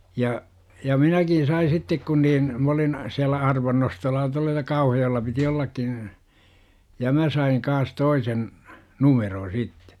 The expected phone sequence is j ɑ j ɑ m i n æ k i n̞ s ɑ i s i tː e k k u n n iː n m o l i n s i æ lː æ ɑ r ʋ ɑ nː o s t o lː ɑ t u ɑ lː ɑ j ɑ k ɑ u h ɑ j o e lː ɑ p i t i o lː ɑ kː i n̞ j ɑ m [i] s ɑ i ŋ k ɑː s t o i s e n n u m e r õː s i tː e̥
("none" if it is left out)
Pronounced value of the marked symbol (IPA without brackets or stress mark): æ